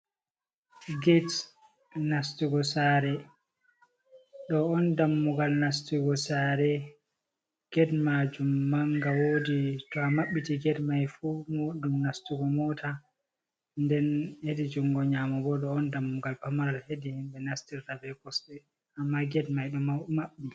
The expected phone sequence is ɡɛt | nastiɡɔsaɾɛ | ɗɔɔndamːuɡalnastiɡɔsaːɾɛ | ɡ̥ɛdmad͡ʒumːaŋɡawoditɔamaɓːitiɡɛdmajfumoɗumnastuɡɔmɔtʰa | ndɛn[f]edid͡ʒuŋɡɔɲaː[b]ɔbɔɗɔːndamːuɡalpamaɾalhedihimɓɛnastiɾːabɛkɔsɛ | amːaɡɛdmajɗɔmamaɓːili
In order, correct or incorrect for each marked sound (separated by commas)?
incorrect, incorrect